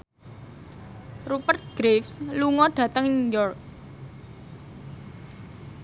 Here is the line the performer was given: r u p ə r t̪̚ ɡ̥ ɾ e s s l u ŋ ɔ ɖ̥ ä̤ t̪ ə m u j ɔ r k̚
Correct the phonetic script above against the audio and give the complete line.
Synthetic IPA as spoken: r u p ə r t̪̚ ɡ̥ ɾ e f s l u ŋ ɔ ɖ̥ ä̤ t̪ ə ŋ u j ɔ r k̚